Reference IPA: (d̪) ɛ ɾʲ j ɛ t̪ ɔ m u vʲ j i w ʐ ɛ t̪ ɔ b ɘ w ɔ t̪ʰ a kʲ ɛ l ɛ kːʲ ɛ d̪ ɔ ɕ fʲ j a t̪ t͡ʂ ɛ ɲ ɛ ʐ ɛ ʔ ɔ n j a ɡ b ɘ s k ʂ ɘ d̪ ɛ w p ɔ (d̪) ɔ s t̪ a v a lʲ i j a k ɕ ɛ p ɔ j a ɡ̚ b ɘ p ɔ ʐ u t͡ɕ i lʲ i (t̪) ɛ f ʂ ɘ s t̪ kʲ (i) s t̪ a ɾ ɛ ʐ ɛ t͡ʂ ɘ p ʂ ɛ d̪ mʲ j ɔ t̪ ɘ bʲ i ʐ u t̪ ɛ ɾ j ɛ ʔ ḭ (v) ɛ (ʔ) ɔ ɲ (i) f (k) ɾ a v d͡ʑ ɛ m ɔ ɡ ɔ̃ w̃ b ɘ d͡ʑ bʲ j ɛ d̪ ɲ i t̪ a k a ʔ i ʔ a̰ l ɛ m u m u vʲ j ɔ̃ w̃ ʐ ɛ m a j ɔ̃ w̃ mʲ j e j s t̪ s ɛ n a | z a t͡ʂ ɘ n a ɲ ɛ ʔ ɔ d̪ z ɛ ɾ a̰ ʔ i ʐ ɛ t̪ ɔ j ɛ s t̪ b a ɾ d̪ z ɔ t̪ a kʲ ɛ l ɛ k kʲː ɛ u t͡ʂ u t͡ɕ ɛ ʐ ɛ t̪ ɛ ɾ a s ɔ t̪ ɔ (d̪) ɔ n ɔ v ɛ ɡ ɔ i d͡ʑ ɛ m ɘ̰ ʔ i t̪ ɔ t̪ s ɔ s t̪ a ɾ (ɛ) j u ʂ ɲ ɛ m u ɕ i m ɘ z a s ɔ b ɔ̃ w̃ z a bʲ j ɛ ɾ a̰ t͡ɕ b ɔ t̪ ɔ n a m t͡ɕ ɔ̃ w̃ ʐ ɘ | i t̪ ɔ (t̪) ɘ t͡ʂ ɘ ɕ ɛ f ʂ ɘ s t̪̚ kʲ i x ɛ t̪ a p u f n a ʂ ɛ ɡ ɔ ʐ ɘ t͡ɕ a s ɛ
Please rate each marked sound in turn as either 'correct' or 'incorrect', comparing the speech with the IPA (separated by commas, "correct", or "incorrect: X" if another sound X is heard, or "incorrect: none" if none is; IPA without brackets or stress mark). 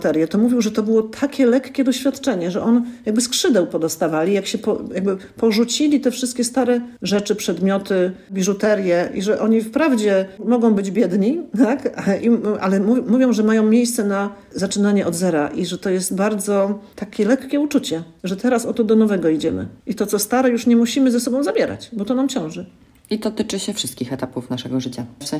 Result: incorrect: t̪, correct, correct, incorrect: ɛ, incorrect: ʐ, correct, correct, incorrect: p, correct, correct, correct